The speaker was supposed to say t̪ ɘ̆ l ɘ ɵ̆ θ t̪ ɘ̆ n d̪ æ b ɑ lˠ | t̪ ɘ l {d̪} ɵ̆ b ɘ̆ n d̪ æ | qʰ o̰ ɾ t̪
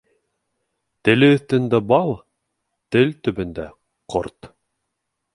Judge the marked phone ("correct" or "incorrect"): incorrect